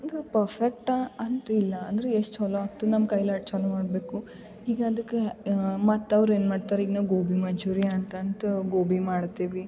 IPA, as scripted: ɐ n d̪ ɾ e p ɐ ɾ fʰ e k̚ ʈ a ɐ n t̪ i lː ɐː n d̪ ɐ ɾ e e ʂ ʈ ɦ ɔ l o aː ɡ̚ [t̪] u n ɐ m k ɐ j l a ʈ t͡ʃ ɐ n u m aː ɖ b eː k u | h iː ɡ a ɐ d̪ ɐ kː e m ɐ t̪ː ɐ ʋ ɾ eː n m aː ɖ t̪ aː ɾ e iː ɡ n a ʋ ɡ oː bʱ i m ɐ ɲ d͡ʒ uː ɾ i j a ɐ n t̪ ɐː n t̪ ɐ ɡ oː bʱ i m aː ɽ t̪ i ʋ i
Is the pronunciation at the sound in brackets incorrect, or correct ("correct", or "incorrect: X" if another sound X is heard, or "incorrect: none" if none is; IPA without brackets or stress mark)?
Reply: correct